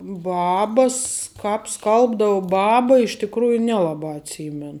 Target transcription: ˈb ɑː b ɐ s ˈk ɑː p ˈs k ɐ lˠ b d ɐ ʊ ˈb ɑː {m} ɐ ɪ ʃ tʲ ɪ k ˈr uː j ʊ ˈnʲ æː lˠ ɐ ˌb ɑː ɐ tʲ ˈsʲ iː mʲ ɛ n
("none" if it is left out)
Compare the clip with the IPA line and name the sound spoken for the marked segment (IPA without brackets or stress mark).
b